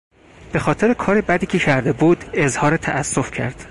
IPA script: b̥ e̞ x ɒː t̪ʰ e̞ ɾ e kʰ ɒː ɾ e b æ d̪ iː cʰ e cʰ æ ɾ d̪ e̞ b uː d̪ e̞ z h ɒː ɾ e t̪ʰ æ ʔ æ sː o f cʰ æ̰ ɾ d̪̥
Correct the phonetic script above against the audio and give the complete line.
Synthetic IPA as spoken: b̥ e̞ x ɒː t̪ʰ e̞ ɾ e kʰ ɒː ɾ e b æ d̪ iː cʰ e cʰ æ ɾ d̪ e̞ b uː d̪ e̞ z h ɒː ɾ e t̪ʰ æ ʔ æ sː o f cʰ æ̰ ɾ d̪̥

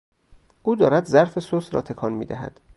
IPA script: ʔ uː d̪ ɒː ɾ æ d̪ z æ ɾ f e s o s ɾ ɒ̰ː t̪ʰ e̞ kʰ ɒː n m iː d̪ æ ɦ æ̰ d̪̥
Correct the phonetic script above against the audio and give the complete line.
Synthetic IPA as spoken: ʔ uː d̪ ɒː ɾ æ d̪ z æ ɾ f e s o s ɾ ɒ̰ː t̪ʰ e̞ kʰ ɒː n m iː d̪ æ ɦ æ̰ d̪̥

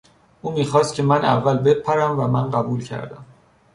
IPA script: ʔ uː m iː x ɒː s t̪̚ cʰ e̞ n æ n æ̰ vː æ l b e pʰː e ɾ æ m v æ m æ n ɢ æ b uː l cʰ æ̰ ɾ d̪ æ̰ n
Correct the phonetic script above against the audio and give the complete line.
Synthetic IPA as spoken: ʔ uː m iː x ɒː s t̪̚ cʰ e̞ m æ n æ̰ vː æ l b e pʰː æ ɾ æ m v æ m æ n ɢ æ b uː l cʰ æ̰ ɾ d̪ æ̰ m

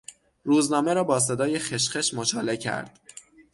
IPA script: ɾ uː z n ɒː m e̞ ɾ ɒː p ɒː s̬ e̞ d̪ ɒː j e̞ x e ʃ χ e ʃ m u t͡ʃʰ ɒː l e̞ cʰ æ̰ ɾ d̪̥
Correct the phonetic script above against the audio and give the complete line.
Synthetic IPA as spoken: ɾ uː z n ɒː m e̞ ɾ ɒː b ɒː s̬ e̞ d̪ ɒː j e̞ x e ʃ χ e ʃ m o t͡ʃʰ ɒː l e̞ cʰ æ̰ ɾ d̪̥

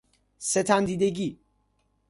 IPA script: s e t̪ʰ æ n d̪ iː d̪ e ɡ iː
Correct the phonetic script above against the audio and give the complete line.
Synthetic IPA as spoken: s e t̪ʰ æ n d̪ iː d̪ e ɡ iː

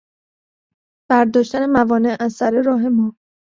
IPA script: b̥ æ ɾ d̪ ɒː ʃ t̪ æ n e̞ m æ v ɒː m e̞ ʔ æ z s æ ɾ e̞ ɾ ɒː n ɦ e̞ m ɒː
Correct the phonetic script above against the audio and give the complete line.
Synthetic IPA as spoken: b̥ æ ɾ d̪ ɒː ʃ t̪ æ n e̞ m æ v ɒː n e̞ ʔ æ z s æ ɾ e̞ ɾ ɒː ɦ e̞ m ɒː

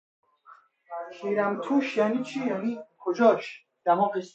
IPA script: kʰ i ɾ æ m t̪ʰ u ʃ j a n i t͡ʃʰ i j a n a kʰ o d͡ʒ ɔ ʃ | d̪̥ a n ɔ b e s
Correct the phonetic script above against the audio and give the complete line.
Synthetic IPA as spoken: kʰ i ɾ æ m t̪ʰ u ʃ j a n i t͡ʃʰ i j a n i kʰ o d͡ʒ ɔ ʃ | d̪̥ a m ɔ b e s

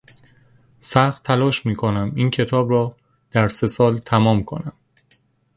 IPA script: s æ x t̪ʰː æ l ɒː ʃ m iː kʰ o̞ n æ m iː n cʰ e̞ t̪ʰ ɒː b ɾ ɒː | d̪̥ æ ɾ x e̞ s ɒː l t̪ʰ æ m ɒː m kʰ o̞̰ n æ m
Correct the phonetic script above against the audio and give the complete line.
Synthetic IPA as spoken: s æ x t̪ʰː æ l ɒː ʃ m iː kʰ o̞ n æ m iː n cʰ e̞ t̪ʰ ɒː b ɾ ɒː | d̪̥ æ ɾ s e̞ s ɒː l t̪ʰ æ m ɒː m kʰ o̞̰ n æ m

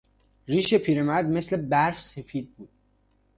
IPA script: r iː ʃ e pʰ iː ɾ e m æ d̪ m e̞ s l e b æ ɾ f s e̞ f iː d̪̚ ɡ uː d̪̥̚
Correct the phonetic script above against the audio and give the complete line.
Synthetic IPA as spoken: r iː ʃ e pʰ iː ɾ e m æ d̪ m e̞ s l e b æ ɾ f s e̞ f iː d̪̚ b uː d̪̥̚

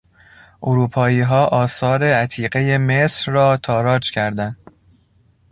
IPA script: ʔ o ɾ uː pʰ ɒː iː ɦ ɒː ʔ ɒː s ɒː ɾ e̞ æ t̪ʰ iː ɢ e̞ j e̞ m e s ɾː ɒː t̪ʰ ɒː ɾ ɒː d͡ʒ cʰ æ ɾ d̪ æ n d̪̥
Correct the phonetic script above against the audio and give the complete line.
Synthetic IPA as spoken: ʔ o ɾ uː pʰ ɒː iː ɦ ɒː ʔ ɒː s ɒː ɾ e̞ æ t̪ʰ iː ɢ e̞ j e̞ m e s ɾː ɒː t̪ʰ ɒː ɾ ɒː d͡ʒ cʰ æ ɾ d̪ æ n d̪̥

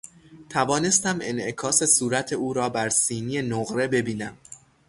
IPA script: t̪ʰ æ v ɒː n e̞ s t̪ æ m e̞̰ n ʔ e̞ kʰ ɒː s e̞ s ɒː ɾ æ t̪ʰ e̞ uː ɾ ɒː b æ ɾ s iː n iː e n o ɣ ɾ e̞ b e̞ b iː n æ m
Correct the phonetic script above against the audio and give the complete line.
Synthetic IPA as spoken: t̪ʰ æ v ɒː n e̞ s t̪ æ m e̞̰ n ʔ e̞ kʰ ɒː s e̞ s uː ɾ æ t̪ʰ e̞ uː ɾ ɒː b æ ɾ s iː n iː e n o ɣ ɾ e̞ b e̞ b iː n æ m

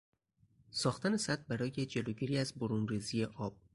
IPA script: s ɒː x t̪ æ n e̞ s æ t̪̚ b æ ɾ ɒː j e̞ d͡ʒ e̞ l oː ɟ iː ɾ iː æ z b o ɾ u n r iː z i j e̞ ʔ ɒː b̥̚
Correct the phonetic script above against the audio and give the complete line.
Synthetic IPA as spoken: s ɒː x t̪ æ n e̞ s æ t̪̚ b æ ɾ ɒː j e̞ d͡ʒ e̞ l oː ɟ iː ɾ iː æ z b o ɾ u n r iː z i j e̞ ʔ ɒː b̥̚

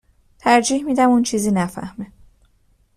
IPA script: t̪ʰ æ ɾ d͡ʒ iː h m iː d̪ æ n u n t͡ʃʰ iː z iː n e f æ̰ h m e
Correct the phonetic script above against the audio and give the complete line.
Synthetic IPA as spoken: t̪ʰ æ ɾ d͡ʒ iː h m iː d̪ æ m u n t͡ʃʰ iː z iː n æ f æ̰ h m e

